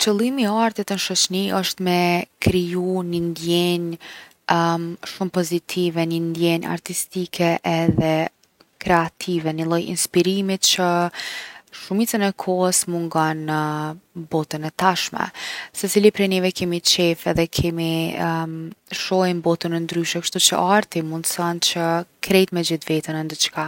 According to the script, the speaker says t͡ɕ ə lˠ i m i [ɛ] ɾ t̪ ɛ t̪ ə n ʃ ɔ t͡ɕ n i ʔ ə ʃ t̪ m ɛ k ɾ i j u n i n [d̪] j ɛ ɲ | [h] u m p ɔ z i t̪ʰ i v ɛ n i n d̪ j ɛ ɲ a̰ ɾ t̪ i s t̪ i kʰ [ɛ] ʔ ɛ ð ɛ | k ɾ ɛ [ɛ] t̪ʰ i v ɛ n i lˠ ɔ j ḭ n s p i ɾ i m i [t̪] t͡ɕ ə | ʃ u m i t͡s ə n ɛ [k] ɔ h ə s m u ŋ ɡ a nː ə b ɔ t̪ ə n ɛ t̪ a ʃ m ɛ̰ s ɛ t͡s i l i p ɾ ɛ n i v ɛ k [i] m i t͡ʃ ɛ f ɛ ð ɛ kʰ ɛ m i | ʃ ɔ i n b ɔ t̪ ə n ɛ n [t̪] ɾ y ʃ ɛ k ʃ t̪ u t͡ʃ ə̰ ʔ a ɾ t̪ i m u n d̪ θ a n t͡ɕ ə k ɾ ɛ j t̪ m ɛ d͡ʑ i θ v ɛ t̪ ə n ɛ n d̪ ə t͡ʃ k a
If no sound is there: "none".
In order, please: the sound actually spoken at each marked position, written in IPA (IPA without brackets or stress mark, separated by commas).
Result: a, d̪, ʃ, ɛ, a, t̪, kʰ, ɛ, d̪